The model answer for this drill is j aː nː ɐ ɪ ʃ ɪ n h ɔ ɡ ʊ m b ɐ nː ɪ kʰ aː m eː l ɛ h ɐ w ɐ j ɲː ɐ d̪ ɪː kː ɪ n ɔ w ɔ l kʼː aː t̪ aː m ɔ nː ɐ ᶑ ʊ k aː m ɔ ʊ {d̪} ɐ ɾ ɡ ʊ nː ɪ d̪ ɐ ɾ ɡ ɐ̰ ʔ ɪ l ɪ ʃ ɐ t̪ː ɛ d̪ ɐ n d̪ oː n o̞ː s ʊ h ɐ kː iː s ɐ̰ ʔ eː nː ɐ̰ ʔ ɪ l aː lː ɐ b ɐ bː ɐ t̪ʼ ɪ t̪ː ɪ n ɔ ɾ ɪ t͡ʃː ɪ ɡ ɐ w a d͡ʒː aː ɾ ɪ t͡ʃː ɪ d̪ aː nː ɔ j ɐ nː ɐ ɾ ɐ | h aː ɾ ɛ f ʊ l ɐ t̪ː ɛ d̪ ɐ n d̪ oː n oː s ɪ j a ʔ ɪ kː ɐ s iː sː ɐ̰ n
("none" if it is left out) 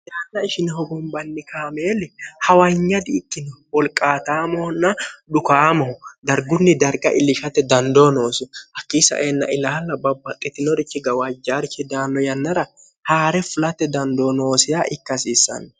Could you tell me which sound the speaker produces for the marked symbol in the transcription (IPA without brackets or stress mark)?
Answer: d̪